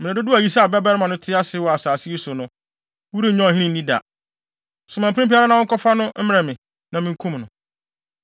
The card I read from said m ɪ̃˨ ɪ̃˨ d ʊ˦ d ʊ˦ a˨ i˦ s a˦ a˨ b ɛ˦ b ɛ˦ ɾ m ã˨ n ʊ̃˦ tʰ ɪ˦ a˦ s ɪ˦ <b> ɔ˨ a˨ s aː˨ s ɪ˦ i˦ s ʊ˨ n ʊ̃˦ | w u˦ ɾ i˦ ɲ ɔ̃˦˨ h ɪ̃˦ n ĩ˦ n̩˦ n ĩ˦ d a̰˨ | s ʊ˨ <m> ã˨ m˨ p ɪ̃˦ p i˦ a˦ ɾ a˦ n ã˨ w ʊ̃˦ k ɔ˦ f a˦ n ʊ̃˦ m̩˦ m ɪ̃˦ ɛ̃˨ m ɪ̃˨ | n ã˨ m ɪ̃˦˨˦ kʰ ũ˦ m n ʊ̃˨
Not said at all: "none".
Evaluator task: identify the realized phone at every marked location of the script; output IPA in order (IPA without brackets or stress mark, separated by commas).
w, m